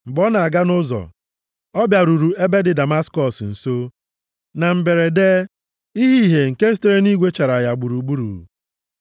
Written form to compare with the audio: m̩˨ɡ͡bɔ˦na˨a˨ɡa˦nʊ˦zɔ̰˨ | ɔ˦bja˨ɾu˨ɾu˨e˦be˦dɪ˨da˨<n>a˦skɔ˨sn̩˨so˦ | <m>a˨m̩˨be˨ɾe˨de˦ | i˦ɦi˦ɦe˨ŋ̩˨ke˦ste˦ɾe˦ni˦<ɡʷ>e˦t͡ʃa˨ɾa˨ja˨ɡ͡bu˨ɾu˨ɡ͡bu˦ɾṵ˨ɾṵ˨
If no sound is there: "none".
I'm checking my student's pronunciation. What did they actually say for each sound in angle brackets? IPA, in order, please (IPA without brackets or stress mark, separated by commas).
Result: m, n, ɡʷ